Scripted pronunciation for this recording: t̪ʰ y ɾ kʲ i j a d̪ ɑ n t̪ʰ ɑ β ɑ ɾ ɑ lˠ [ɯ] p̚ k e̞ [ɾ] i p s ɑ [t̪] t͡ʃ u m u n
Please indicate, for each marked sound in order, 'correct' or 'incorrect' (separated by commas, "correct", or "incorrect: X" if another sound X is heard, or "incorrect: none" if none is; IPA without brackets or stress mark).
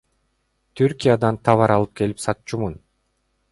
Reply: correct, incorrect: l, correct